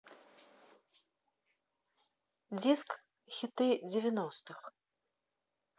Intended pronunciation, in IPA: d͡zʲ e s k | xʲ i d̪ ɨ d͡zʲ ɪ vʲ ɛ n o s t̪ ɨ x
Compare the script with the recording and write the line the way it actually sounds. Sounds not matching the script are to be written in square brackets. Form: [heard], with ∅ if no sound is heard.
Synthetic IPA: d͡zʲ [i] s k | xʲ i [t̪] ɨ d͡zʲ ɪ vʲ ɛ n [ɔ] s t̪ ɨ x